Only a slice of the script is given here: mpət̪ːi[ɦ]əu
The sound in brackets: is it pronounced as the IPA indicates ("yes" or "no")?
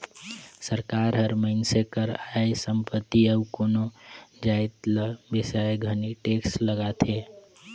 no